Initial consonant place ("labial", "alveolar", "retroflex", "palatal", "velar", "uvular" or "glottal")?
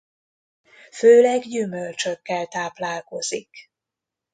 labial